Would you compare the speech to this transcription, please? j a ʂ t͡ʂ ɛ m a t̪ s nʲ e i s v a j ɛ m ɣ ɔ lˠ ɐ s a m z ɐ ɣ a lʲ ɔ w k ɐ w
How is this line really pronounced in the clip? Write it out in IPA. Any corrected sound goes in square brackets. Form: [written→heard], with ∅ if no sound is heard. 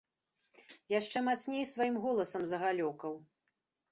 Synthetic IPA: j a ʂ t͡ʂ ɛ m a t̪ s nʲ e [i→j] s v a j [ɛ→i] m ɣ ɔ lˠ ɐ s [a→ɐ] m z ɐ ɣ a lʲ ɔ [w→∅] k ɐ w